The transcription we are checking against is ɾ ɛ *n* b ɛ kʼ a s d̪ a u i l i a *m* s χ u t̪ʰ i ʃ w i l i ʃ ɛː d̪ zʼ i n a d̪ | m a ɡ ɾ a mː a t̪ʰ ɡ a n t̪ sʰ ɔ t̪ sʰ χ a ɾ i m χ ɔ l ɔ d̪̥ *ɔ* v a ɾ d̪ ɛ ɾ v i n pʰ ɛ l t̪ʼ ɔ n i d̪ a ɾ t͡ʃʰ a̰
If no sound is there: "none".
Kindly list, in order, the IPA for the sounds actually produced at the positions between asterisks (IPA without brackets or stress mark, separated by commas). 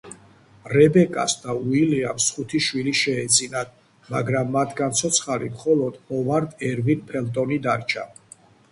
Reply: none, m, ɔ